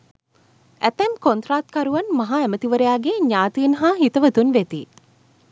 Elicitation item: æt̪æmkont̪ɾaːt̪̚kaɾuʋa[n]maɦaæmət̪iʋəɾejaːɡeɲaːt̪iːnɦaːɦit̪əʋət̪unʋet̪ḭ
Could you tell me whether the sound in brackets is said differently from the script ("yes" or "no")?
no